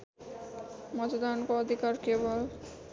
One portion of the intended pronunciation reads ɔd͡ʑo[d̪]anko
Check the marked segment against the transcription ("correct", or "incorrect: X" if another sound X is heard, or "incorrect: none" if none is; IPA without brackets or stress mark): correct